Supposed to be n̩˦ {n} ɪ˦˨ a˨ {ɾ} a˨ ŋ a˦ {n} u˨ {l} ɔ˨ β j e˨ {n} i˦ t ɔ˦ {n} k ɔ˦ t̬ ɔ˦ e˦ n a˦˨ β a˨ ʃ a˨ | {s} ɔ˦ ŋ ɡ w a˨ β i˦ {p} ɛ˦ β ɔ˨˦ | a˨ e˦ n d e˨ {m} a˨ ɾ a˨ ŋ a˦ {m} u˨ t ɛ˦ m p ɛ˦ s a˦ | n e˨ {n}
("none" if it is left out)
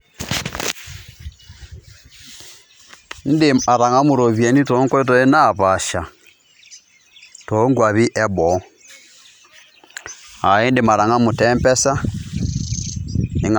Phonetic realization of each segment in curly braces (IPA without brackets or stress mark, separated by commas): d, ɾ, m, ɾ, n, ŋ, t, ʔ, m, m, ŋ